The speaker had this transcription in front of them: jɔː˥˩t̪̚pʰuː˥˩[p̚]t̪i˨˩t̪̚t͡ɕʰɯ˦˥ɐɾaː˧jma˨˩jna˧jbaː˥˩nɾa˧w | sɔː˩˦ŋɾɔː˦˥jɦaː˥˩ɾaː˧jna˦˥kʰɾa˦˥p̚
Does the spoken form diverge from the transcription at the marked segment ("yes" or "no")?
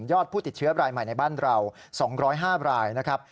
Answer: yes